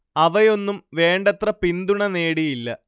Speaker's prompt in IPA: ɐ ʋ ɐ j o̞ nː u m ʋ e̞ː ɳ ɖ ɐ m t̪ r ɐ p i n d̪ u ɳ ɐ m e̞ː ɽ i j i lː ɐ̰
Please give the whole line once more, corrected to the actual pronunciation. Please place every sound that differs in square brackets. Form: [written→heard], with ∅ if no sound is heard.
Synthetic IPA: ɐ ʋ ɐ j o̞ nː u m ʋ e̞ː ɳ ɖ ɐ [m→∅] t̪ r ɐ p i n d̪ u ɳ ɐ [m→n] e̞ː ɽ i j i lː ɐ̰

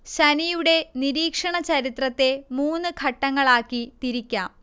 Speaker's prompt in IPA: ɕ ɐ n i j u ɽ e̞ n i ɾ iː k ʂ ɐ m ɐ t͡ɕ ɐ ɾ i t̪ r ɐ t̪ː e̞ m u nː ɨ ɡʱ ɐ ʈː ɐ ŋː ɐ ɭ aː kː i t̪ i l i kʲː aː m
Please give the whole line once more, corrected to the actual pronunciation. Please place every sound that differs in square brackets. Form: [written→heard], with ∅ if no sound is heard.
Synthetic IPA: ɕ ɐ n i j u ɽ e̞ n i ɾ iː k ʂ ɐ [m→ɳ] ɐ t͡ɕ ɐ ɾ i t̪ r ɐ t̪ː e̞ m [u→uː] nː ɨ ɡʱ ɐ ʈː ɐ ŋː ɐ ɭ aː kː i t̪ i [l→ɾ] i kʲː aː m

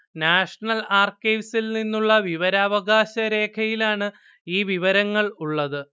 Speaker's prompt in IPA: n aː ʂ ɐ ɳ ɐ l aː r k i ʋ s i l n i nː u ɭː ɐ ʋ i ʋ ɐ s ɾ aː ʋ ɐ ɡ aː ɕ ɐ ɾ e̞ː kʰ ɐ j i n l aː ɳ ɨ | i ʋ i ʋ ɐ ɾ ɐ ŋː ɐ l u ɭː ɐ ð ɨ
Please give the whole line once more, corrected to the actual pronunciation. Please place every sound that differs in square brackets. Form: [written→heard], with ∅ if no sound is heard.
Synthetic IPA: n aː ʂ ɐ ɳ ɐ l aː r k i ʋ s i l n i nː u ɭː ɐ ʋ i ʋ ɐ [s→∅] ɾ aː ʋ ɐ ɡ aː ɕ ɐ ɾ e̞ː kʰ ɐ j i [n→∅] l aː ɳ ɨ | [i→iː] ʋ i ʋ ɐ ɾ ɐ ŋː ɐ [l→ɭ] u ɭː ɐ ð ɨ

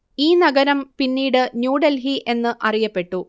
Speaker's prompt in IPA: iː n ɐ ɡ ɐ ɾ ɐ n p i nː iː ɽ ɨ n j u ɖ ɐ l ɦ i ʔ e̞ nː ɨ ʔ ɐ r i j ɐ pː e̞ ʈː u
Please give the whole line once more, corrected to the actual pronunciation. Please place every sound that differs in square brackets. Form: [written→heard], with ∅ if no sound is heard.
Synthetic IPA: iː n ɐ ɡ ɐ ɾ ɐ [n→m] p i nː iː ɽ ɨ n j [u→uː] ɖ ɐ l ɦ i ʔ e̞ nː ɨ ʔ ɐ r i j ɐ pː e̞ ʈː u

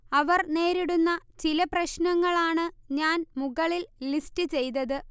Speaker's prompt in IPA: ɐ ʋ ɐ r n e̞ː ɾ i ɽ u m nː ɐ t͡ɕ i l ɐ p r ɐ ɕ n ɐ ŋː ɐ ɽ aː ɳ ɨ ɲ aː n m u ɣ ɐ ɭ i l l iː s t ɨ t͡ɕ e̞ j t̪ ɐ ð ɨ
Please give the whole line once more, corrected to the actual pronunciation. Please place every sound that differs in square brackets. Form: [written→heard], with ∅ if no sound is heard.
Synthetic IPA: ɐ ʋ ɐ r n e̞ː ɾ i ɽ u [m→∅] nː ɐ t͡ɕ i l ɐ p r ɐ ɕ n ɐ ŋː ɐ [ɽ→ɭ] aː ɳ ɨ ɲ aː n m u ɣ ɐ ɭ i l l [iː→i] s t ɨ t͡ɕ e̞ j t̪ ɐ ð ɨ

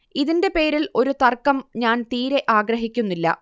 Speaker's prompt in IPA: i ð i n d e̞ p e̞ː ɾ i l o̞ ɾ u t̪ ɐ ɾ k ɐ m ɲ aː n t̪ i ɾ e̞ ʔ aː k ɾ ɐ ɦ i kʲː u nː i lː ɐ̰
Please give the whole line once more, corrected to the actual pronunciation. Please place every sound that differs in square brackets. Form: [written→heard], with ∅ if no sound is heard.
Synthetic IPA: i ð i n d e̞ p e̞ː ɾ i l o̞ ɾ u t̪ ɐ [ɾ→r] k ɐ m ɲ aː n t̪ [i→iː] ɾ e̞ ʔ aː [k→ɡ] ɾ ɐ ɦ i kʲː u nː i lː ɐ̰

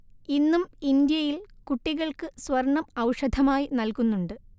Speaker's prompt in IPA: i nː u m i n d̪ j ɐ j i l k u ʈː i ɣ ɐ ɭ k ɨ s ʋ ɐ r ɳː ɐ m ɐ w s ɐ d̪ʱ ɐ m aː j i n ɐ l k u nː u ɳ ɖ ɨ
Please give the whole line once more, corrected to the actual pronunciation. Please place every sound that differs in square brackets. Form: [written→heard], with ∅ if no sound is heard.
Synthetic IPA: i nː u m i n d̪ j ɐ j i l k u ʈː i ɣ ɐ ɭ k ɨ s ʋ ɐ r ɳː ɐ m ɐ w [s→ʂ] ɐ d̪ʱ ɐ m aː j i n ɐ l k u nː u ɳ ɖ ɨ

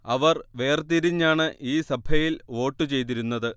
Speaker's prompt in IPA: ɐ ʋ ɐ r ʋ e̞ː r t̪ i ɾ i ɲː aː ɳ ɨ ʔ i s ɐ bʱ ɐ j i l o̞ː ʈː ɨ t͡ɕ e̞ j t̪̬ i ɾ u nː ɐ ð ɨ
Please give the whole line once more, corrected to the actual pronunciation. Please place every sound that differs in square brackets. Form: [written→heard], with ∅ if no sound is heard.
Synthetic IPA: ɐ ʋ ɐ r ʋ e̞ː r t̪ i ɾ i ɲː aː ɳ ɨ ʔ [i→iː] s ɐ bʱ ɐ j i l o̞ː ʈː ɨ t͡ɕ e̞ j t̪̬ i ɾ u nː ɐ ð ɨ

